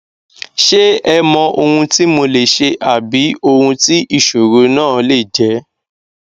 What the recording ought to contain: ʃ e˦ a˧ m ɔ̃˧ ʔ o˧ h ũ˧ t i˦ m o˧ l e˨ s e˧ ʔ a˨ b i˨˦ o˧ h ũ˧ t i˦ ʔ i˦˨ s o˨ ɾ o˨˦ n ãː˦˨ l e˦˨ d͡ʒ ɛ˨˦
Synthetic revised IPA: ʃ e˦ ɛ˧ m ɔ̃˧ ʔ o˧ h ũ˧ t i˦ m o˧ l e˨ ʃ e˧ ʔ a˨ b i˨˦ o˧ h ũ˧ t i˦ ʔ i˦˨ ʃ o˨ ɾ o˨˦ n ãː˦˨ l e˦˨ d͡ʒ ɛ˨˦